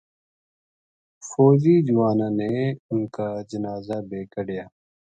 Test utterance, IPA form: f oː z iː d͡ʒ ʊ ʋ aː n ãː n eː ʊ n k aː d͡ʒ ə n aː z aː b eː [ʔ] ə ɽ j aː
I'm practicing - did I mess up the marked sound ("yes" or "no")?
yes